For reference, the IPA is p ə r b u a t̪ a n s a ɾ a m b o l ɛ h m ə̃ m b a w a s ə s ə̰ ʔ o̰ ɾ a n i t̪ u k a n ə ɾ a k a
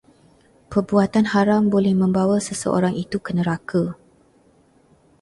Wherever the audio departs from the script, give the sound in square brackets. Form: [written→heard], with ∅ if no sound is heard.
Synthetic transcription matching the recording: p ə r b u a t̪ a n [s→h] a ɾ a m b o l ɛ h m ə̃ m b a w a s ə s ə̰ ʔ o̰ ɾ a [n→ŋ] i t̪ u k [a→ə] n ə ɾ a k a